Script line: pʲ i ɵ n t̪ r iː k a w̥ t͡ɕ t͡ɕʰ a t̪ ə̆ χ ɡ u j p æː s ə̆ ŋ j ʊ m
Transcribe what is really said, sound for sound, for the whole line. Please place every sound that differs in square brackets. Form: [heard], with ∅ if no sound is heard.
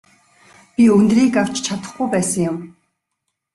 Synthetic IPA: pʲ i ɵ n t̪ r iː k a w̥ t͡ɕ t͡ɕʰ a t̪ ə̆ χ ɡ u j p æː s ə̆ ŋ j ʊ m